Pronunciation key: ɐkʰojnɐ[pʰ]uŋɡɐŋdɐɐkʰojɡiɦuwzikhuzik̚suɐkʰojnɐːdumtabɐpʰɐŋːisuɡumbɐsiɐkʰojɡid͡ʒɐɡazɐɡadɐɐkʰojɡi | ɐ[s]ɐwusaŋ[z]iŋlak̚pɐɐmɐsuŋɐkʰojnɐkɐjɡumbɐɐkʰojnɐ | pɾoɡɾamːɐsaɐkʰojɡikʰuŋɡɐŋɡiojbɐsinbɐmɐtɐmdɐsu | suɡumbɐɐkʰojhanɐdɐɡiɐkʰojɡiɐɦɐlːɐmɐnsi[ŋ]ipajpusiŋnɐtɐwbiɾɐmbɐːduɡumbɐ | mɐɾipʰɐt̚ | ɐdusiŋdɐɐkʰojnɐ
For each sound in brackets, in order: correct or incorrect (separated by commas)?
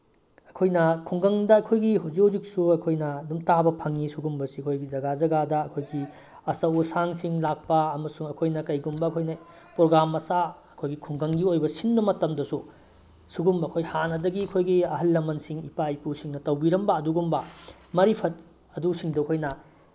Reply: incorrect, correct, incorrect, correct